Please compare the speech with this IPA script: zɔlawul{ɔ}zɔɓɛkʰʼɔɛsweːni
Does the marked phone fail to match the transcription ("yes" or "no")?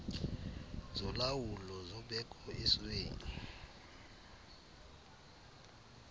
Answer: no